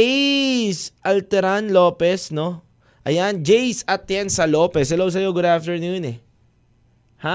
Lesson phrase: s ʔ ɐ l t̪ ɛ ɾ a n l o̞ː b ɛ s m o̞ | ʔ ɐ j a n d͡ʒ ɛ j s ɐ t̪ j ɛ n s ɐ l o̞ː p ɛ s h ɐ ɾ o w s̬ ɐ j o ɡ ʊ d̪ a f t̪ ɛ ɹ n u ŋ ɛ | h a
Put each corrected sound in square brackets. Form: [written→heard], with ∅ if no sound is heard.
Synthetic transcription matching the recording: s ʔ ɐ l t̪ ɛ ɾ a n l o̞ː [b→p] ɛ s [m→n] o̞ | ʔ ɐ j a n d͡ʒ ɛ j s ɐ t̪ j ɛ n s ɐ l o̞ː p ɛ s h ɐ [ɾ→l] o w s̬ ɐ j o ɡ ʊ d̪ a f t̪ ɛ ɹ n u [ŋ→n] ɛ | h a